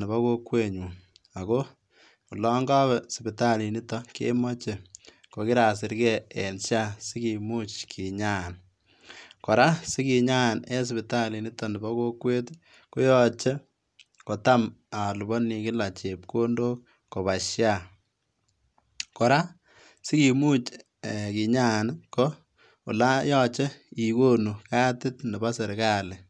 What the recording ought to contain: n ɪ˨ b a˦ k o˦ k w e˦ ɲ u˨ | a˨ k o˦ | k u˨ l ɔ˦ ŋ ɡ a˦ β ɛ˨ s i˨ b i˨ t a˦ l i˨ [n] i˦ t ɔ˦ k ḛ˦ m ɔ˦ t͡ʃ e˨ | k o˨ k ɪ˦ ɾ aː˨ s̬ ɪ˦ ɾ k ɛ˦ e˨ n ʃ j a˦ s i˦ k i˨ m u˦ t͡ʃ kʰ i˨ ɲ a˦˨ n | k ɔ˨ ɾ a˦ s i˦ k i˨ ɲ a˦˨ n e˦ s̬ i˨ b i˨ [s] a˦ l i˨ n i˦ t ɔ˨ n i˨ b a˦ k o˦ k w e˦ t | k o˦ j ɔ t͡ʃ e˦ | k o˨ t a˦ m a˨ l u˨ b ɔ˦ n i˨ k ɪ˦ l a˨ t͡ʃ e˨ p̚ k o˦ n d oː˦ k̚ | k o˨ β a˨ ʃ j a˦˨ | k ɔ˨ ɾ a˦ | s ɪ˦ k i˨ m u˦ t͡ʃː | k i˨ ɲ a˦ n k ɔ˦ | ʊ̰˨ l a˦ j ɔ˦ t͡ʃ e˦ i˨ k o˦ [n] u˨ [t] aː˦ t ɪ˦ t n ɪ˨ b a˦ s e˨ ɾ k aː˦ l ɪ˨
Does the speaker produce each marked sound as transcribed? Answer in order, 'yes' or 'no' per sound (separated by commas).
yes, no, yes, no